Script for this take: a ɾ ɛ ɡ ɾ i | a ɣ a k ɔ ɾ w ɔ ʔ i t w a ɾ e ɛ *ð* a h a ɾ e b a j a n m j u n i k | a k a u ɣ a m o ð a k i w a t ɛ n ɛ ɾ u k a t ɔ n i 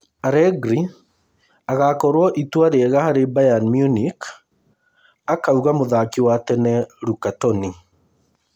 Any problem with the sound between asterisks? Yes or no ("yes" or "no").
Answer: yes